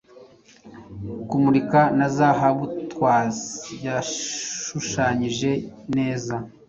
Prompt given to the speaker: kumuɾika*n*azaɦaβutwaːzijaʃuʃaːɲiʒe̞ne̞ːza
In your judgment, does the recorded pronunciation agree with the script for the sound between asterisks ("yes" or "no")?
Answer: yes